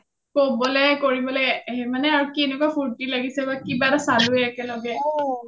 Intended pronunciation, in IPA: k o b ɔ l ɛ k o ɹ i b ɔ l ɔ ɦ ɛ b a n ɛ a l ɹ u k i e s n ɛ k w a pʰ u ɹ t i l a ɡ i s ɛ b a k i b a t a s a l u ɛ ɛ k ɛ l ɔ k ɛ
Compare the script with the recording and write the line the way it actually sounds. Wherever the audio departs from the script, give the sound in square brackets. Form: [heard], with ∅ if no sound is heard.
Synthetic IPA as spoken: k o b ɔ l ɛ k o ɹ i b ɔ l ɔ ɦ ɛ [m] a n ɛ a [∅] ɹ u k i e [∅] n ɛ k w a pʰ u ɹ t i l a ɡ i s ɛ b a k i b a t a s a l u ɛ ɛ k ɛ l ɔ [ɡ] ɛ

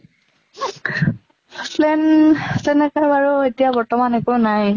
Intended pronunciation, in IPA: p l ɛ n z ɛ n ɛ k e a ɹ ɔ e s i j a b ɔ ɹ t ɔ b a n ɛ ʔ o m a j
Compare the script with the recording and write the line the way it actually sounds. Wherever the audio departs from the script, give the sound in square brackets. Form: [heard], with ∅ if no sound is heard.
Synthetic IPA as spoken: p l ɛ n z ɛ n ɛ k [a] a ɹ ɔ e [t] i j a b ɔ ɹ t ɔ [m] a n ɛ [k] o [n] a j

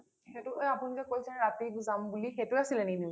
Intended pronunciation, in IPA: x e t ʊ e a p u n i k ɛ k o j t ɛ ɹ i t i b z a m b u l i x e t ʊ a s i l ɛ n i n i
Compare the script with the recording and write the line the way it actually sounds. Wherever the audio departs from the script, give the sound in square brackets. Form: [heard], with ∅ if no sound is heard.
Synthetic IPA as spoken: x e t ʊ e a p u n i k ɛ k o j [s] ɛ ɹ [a] t i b z a m b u l i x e t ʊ a s i l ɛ n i n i

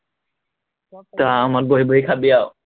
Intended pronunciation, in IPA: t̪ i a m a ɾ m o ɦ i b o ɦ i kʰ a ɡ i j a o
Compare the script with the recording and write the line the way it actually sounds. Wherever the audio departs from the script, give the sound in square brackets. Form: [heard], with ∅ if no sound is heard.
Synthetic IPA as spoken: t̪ [a] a m a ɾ [b] o ɦ i b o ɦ i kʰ a [b] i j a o

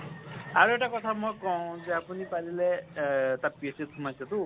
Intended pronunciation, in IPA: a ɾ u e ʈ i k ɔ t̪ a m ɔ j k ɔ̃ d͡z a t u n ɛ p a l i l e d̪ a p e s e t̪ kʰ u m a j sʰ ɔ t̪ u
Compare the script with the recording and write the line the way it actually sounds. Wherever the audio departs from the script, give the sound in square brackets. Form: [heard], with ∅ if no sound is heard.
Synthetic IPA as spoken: a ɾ u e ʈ [a] k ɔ [t̪ʰ] a m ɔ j k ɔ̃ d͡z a [p] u n [i] p a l i l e [t̪] a p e s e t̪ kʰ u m a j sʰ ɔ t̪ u

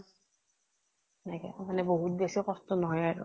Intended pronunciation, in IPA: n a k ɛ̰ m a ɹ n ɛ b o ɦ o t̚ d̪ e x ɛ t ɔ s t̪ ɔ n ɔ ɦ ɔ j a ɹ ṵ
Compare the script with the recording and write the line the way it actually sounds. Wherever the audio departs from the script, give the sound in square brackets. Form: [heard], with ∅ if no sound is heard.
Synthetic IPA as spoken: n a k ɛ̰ m a [∅] n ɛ b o ɦ [u] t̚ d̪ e [s] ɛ [k] ɔ s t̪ ɔ n ɔ ɦ ɔ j a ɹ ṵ

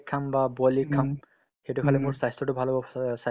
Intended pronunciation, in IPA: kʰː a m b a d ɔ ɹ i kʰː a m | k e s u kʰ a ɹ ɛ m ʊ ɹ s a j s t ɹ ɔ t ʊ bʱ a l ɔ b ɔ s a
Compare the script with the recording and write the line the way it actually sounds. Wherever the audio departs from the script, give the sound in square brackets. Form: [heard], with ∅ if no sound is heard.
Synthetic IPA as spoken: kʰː a m b a [b] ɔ [l] i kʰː a m | [x] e [t] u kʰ a [l] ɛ m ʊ ɹ s a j s t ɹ ɔ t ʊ bʱ a l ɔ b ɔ s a

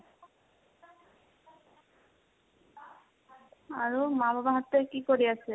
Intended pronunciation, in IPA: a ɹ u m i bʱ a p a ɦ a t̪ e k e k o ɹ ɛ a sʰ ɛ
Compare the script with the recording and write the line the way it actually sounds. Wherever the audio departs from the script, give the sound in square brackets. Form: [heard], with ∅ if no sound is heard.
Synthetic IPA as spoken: a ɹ u m [a] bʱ a [b] a ɦ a t̪ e k [i] k o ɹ [i] a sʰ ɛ

